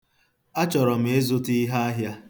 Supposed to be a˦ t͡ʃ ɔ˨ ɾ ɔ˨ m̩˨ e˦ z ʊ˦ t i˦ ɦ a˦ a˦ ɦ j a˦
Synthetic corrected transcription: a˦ t͡ʃ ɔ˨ ɾ ɔ˨ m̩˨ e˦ z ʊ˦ t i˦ ɦ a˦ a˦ ɦ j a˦